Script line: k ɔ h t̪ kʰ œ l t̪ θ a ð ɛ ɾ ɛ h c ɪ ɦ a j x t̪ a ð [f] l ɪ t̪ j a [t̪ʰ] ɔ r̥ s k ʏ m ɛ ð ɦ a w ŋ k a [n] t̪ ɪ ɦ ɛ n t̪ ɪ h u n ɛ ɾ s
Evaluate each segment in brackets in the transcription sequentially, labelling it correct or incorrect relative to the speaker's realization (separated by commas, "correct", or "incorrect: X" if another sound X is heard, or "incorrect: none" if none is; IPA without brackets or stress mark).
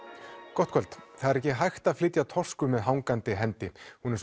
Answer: correct, correct, correct